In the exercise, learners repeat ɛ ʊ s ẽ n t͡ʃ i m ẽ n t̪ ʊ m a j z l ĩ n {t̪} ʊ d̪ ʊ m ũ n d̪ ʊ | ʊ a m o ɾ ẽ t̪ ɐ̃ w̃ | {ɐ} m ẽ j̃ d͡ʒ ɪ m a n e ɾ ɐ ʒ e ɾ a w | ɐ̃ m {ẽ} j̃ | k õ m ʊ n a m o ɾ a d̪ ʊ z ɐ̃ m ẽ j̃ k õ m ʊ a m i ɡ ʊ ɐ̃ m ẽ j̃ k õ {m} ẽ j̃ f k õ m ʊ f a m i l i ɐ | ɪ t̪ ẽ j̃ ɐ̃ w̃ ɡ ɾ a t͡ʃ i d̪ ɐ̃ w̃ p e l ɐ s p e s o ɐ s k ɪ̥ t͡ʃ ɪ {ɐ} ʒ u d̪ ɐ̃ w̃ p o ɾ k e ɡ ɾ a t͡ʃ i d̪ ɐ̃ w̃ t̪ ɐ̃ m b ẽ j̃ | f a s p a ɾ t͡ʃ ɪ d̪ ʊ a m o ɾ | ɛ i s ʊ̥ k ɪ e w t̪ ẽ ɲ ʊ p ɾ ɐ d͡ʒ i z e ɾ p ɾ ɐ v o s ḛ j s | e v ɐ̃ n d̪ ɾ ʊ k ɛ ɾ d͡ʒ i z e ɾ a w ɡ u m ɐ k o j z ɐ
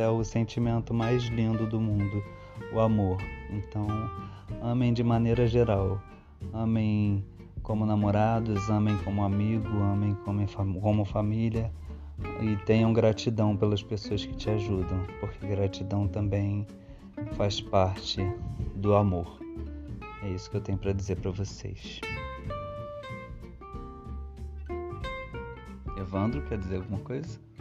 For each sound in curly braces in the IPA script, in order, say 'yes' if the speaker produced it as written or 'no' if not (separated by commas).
no, no, yes, yes, no